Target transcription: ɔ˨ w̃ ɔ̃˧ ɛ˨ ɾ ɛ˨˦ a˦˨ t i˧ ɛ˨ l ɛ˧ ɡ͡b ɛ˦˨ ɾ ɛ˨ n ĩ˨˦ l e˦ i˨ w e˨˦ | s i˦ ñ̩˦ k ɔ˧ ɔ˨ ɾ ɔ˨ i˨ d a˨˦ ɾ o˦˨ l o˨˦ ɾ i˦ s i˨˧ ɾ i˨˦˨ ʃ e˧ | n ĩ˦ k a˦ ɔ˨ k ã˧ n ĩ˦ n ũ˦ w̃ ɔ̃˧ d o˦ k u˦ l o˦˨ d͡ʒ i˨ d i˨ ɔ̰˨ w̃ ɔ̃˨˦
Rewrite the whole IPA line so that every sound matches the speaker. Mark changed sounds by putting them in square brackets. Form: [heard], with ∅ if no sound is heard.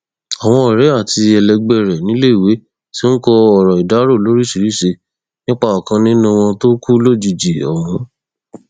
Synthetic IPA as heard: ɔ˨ w̃ ɔ̃˧ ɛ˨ ɾ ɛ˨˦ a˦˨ t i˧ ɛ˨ l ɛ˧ ɡ͡b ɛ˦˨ ɾ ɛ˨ n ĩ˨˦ l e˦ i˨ w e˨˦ | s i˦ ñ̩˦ k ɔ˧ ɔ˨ ɾ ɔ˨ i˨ d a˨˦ ɾ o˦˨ l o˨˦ ɾ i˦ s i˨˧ ɾ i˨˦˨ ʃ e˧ | n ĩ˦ [k͡p] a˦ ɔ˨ k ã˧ n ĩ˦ n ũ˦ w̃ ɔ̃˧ [t] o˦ k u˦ l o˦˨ d͡ʒ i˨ [d͡ʒ] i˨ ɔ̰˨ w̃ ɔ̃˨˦